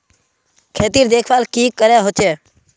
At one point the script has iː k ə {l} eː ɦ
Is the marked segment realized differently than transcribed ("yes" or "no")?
yes